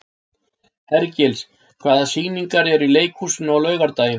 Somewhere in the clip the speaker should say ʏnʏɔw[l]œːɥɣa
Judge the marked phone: correct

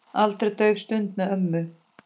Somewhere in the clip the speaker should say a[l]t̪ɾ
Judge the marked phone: correct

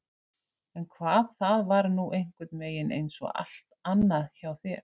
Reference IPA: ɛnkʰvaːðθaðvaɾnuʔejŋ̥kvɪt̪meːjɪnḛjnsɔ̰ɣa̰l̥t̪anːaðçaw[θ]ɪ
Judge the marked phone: correct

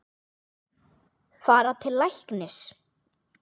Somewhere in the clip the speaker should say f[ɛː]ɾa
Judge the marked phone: incorrect: aː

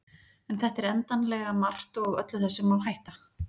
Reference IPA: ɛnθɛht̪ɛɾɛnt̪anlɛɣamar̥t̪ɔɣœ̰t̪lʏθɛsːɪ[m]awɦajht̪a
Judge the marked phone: correct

